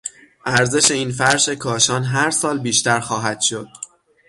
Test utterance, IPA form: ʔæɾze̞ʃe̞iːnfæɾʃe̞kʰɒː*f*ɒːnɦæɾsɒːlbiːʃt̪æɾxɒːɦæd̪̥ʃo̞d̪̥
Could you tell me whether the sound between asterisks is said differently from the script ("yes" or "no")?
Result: yes